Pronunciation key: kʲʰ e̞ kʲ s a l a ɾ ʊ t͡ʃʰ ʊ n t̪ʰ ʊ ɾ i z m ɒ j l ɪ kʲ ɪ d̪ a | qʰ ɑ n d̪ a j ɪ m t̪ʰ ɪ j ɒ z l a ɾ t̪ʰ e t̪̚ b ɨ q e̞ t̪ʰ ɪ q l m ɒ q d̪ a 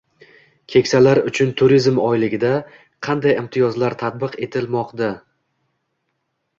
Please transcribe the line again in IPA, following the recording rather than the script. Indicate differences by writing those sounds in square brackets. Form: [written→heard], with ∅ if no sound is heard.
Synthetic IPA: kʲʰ e̞ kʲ s a l a ɾ ʊ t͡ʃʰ ʊ n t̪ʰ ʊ ɾ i z m ɒ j l ɪ [kʲ→ɡʲ] ɪ d̪ a | qʰ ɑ n d̪ a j ɪ m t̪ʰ ɪ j ɒ z l a ɾ t̪ʰ [e→a] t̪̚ b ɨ q e̞ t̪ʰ ɪ [q→∅] l m ɒ q d̪ a